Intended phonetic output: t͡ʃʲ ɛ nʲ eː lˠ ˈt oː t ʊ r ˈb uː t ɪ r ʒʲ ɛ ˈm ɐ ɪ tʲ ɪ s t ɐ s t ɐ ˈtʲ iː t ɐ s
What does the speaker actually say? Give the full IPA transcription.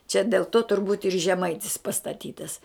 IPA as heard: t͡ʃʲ ɛ dʲ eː lˠ ˈt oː t ʊ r ˈb uː t ɪ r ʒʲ ɛ ˈm ɐ ɪ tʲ ɪ s p ɐ s t ɐ ˈtʲ iː t ɐ s